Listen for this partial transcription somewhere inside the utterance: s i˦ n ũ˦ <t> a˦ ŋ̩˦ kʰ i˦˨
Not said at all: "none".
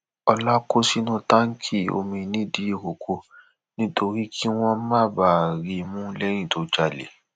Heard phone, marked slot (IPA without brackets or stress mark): t